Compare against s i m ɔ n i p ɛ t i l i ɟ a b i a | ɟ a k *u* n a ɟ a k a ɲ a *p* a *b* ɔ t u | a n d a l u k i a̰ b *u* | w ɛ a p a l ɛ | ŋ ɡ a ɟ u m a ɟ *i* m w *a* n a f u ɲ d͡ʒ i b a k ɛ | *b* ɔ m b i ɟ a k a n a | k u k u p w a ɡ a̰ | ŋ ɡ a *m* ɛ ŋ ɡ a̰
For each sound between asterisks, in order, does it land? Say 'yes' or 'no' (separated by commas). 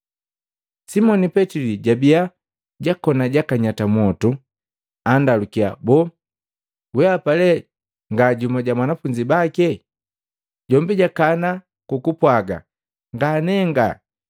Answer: no, no, no, no, no, yes, no, no